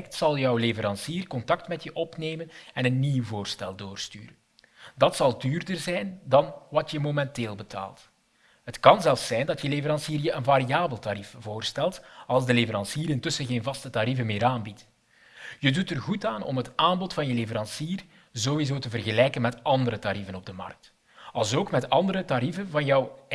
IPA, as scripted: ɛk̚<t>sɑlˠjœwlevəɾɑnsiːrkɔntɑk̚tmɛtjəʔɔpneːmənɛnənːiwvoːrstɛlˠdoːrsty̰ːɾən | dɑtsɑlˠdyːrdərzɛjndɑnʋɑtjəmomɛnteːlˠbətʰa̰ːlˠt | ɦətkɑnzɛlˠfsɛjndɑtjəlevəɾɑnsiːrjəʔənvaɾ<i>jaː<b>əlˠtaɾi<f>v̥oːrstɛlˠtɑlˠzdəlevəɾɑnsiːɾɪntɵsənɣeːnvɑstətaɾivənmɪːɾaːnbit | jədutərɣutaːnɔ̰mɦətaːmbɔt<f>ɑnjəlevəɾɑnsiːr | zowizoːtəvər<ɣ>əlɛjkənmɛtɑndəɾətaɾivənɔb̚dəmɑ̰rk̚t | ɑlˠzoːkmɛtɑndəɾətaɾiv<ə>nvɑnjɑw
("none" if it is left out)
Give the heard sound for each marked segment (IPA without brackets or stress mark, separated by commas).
t, i, b, f, f, ɣ, ə